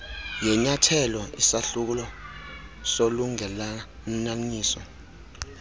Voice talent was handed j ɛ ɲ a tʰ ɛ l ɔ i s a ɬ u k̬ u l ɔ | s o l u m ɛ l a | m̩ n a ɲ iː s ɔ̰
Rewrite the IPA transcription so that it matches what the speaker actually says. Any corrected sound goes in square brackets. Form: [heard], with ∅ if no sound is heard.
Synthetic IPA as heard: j ɛ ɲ a tʰ ɛ l ɔ i s a ɬ u k̬ u l ɔ | s o l u [ŋ] ɛ l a | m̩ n a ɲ iː s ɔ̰